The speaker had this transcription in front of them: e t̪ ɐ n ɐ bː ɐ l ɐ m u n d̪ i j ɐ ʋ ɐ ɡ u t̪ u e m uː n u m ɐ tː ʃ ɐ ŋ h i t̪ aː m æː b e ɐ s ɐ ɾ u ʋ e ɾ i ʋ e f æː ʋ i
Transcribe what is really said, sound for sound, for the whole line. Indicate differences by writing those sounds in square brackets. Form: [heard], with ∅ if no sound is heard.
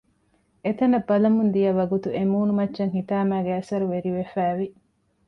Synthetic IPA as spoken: e t̪ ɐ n ɐ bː ɐ l ɐ m u n d̪ i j ɐ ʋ ɐ ɡ u t̪ u e m uː n u m ɐ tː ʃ ɐ ŋ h i t̪ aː m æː [ɡ] e ɐ s ɐ ɾ u ʋ e ɾ i ʋ e f æː ʋ i

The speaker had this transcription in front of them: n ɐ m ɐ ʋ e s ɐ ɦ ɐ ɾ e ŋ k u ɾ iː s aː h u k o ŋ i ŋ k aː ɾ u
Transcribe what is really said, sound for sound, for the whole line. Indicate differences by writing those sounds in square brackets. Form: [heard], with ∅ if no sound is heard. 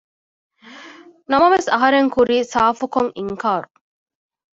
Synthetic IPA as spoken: n ɐ m ɐ ʋ e s ɐ ɦ ɐ ɾ e ŋ k u ɾ iː s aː [f] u k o ŋ i ŋ k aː ɾ u

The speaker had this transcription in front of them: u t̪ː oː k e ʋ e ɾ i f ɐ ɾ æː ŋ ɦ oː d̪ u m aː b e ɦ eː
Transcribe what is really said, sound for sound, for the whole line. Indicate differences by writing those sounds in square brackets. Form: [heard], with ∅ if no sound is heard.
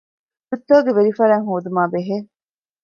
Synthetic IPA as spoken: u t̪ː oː [ɡ] e ʋ e ɾ i f ɐ ɾ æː ŋ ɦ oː d̪ u m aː b e ɦ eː

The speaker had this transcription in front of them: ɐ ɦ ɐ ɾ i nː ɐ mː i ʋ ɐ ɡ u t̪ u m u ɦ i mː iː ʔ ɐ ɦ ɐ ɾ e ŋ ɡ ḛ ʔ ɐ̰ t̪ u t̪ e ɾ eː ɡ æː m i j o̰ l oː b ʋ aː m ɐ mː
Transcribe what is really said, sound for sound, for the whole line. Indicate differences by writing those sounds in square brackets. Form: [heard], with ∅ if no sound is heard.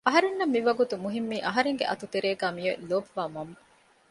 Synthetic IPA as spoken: ɐ ɦ ɐ ɾ [e] nː ɐ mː i ʋ ɐ ɡ u t̪ u m u ɦ i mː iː ʔ ɐ ɦ ɐ ɾ e ŋ ɡ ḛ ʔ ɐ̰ t̪ u t̪ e ɾ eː ɡ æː m i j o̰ l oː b ʋ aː m ɐ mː

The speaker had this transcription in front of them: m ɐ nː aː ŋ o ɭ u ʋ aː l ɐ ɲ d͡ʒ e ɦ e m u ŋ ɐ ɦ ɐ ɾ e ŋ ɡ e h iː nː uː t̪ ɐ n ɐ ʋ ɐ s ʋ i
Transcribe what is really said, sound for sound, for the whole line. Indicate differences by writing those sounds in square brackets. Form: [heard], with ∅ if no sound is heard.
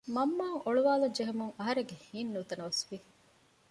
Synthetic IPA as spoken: m ɐ [mː] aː ŋ o ɭ u ʋ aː l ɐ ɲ d͡ʒ e ɦ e m u ŋ ɐ ɦ ɐ ɾ e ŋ ɡ e h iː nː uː t̪ ɐ n ɐ ʋ ɐ s ʋ i

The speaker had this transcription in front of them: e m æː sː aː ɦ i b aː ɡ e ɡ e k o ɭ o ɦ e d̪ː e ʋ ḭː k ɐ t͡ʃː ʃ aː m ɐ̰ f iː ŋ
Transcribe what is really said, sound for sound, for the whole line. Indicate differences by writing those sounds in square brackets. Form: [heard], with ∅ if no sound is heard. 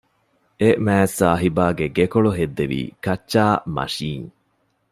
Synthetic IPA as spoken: e m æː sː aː ɦ i b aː ɡ e ɡ e k o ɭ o ɦ e d̪ː e ʋ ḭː k ɐ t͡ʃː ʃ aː m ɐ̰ [ʃ] iː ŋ

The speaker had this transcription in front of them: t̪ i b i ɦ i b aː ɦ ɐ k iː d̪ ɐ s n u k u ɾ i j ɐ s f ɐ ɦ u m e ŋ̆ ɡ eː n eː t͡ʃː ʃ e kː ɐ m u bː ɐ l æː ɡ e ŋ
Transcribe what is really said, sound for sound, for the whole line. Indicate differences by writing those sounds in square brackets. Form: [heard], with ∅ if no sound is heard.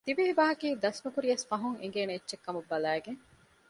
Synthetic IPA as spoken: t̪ i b i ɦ i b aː ɦ ɐ k iː d̪ ɐ s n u k u ɾ i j ɐ s f ɐ ɦ u [ŋ] e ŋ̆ ɡ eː n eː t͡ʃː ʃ e kː ɐ m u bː ɐ l æː ɡ e ŋ

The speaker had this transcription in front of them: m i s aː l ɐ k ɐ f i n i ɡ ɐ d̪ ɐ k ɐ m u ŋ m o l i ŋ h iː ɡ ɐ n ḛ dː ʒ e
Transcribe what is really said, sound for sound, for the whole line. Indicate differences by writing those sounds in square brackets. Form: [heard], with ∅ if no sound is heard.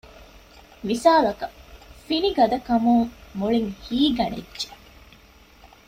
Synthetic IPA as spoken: m i s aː l ɐ k ɐ f i n i ɡ ɐ d̪ ɐ k ɐ m u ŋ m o [ɭ] i ŋ h iː ɡ ɐ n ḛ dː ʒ e

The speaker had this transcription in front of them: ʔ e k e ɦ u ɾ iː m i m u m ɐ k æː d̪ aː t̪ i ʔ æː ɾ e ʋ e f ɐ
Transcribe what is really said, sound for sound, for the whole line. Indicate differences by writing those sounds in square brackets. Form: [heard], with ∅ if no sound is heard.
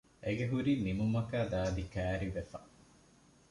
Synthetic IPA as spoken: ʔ e [ɡ] e ɦ u ɾ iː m i m u m ɐ k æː d̪ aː [d̪] i [k] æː ɾ [i] ʋ e f ɐ

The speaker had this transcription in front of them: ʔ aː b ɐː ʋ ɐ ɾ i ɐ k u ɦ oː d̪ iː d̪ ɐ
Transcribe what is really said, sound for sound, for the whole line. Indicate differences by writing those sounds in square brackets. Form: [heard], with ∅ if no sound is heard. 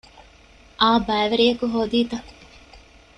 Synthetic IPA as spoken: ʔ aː b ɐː ʋ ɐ ɾ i ɐ k u ɦ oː d̪ iː [t̪] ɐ

